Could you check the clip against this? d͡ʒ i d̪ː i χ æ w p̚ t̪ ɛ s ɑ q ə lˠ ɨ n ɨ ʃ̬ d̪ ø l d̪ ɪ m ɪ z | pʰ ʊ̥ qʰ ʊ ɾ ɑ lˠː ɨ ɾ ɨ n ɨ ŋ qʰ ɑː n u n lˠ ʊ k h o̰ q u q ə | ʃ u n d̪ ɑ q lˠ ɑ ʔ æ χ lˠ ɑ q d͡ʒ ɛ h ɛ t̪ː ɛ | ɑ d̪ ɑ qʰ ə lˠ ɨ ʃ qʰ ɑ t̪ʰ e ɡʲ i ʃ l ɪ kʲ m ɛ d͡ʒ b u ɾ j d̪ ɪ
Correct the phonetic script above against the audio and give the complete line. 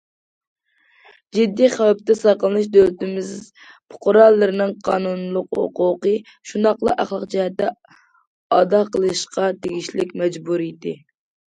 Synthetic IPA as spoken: d͡ʒ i d̪ː i χ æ w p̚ t̪ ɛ s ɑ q ə lˠ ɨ n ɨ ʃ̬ d̪ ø l t̪ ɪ m ɪ z | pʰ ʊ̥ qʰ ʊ ɾ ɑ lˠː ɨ ɾ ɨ n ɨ ŋ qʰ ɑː n u n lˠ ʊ q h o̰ q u q ə | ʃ u n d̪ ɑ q lˠ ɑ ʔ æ χ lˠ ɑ q d͡ʒ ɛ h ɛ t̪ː ɛ | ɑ d̪ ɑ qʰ ə lˠ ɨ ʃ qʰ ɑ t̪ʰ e ɡʲ i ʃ l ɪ kʲ m ɛ d͡ʒ b u ɾ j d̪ ɪ